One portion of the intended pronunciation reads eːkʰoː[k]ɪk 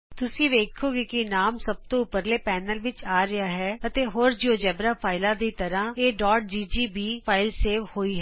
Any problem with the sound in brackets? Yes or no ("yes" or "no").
yes